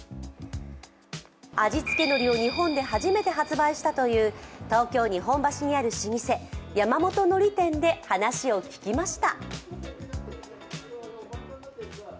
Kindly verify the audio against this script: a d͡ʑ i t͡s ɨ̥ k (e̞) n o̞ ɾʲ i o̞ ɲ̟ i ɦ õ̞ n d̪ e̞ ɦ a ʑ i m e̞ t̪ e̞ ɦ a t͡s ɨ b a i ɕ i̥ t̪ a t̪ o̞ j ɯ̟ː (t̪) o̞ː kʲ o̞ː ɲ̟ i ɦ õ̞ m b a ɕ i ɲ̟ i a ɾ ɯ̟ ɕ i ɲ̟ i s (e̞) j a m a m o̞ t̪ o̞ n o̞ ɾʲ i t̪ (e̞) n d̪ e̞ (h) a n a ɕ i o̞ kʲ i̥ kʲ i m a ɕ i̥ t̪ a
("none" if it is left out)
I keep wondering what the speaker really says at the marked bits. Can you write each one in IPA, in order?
e̞, t̪, e̞, ẽ̞, h

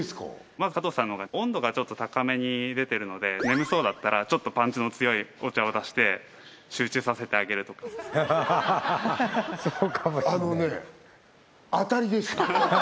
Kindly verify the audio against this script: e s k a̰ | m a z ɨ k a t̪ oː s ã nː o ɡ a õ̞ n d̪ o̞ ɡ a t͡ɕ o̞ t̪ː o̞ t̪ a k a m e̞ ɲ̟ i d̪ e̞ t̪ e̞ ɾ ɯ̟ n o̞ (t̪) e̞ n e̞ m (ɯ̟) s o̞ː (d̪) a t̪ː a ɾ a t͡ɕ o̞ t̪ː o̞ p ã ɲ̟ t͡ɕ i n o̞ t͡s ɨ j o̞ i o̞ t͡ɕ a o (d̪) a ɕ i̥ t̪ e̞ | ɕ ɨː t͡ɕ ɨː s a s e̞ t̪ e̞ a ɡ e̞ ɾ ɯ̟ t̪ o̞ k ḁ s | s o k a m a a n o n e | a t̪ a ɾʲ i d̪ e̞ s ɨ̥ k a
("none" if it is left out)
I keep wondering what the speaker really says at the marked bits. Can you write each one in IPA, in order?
d̪, ɯ̟, d̪, d̪

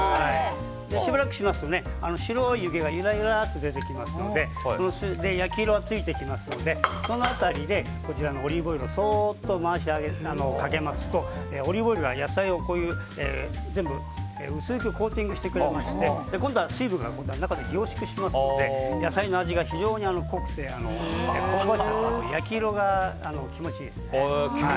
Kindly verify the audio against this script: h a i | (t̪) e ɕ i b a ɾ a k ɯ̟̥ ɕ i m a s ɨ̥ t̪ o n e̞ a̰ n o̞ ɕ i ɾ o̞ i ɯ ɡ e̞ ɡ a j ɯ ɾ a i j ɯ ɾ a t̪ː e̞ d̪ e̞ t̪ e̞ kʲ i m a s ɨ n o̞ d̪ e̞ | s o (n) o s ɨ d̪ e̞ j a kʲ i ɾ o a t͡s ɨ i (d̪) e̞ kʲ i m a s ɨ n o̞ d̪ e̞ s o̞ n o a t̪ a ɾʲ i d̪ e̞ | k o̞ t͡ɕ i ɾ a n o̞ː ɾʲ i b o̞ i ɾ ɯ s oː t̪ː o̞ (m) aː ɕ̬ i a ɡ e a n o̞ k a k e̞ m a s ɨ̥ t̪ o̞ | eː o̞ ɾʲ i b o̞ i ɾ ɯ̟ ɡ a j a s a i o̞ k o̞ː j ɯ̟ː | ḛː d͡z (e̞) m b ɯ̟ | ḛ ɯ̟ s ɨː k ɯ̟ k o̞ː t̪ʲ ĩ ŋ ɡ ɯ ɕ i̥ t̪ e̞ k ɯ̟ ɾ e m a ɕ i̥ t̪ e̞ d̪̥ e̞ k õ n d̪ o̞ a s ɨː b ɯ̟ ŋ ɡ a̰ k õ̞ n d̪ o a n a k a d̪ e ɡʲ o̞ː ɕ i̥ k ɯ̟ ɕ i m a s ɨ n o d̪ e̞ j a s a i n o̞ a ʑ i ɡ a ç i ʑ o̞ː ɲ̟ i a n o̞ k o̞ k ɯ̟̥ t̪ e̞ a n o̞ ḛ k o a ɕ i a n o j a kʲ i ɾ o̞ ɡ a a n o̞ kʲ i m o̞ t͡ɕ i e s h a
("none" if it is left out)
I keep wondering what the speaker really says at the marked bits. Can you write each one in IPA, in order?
d̪, n, t̪, m, ẽ̞

